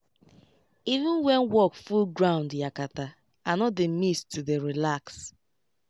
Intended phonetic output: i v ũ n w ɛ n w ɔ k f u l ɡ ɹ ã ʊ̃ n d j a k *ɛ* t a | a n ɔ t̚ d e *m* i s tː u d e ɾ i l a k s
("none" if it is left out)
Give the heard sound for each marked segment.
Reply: a, m

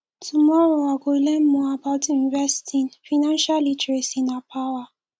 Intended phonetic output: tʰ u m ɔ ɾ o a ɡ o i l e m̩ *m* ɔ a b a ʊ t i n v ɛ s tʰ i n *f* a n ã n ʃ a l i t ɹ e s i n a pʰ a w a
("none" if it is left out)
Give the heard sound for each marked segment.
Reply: m, f

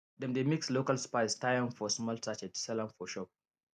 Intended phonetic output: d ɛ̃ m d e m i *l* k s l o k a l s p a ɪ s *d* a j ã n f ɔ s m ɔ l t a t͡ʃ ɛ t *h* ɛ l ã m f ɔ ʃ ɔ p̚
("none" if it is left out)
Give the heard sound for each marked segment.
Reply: none, t, s

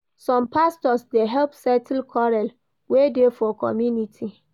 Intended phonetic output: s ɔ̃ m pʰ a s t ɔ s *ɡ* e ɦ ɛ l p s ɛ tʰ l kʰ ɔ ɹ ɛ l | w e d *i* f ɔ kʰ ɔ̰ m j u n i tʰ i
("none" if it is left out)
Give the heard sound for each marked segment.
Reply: d, e

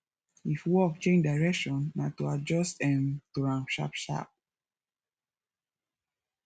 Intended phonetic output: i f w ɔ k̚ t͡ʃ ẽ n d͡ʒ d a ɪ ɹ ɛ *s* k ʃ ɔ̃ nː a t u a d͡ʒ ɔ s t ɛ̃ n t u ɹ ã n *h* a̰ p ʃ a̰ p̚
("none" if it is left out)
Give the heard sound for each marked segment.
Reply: none, ʃ

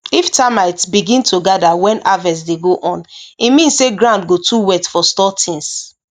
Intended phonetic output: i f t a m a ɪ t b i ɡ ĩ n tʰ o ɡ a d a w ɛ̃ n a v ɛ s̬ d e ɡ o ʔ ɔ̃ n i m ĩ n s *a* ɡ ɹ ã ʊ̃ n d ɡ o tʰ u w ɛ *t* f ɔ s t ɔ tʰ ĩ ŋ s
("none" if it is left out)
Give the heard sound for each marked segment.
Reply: e, t

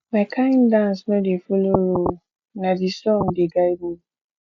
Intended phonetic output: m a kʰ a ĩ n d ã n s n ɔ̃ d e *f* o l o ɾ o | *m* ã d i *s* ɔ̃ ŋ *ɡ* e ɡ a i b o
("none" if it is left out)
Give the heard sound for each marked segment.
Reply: f, n, s, d

